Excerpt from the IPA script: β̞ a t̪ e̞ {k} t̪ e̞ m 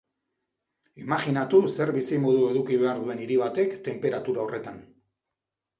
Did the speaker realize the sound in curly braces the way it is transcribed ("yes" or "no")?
yes